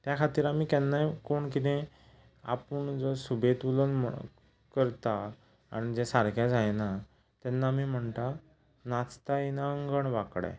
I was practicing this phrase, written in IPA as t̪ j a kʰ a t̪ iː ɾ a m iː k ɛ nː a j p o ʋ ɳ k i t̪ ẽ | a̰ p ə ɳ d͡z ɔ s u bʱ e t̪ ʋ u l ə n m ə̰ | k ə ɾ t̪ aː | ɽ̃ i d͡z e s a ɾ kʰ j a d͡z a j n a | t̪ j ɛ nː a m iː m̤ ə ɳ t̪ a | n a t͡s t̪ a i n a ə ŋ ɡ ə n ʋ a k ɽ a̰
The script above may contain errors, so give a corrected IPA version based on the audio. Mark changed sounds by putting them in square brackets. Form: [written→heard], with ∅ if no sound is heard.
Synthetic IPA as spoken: t̪ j a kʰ a t̪ iː ɾ a m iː k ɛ nː a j [p→k] o [ʋ→∅] ɳ k i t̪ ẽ | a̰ p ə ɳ d͡z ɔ s u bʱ e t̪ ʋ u l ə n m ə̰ | k ə ɾ t̪ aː | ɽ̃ i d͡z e s a ɾ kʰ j a d͡z a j n a | t̪ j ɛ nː a m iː m̤ ə ɳ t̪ a | n a t͡s t̪ a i n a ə ŋ ɡ ə [n→ɳ] ʋ a k ɽ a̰